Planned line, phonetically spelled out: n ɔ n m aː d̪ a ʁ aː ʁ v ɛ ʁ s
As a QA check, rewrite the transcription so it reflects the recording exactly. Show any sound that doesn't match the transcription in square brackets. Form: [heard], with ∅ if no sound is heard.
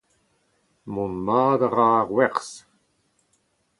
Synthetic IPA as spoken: [m] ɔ n m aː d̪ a ʁ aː ʁ [w] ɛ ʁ s